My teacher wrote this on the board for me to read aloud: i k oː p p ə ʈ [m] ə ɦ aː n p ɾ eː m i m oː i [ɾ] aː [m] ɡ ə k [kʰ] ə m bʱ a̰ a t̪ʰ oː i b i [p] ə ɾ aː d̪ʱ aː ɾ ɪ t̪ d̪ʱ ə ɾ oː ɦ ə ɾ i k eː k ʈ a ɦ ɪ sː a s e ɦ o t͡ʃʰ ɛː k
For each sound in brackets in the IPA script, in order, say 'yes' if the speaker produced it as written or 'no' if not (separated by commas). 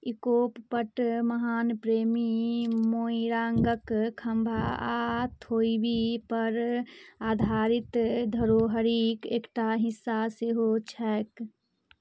yes, yes, no, yes, yes